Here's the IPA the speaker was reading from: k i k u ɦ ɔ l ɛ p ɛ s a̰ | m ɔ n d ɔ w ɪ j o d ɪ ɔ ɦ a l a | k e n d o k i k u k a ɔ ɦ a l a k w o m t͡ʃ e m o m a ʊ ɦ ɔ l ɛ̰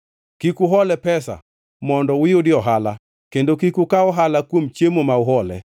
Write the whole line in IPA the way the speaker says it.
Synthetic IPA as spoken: k i k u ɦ ɔ l ɛ p ɛ s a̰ | m ɔ n d ɔ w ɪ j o d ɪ ɔ ɦ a l a | k e n d o k i k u k a ɔ ɦ a l a k w o m t͡ʃ e m o m a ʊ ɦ ɔ l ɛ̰